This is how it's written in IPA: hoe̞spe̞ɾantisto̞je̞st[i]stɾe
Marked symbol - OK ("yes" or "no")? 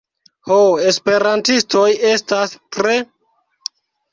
no